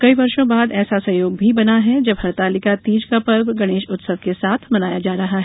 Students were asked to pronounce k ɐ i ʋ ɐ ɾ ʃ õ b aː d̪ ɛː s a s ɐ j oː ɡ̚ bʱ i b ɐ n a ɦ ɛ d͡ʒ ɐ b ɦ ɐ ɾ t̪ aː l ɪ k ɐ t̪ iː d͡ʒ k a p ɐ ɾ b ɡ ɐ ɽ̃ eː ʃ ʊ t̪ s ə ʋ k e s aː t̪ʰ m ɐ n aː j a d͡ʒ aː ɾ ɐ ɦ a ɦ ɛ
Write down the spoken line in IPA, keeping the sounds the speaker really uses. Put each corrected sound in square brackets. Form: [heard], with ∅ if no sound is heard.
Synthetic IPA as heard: k ɐ i ʋ ɐ ɾ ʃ õ b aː d̪ ɛː s a s ɐ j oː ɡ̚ bʱ i b ɐ n a ɦ ɛ d͡ʒ ɐ b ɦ ɐ ɾ t̪ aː l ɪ k [a] t̪ iː d͡ʒ k a p ɐ ɾ b ɡ ɐ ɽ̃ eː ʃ ʊ t̪ s ə ʋ k e s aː t̪ʰ m ɐ n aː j a d͡ʒ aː ɾ ɐ ɦ a ɦ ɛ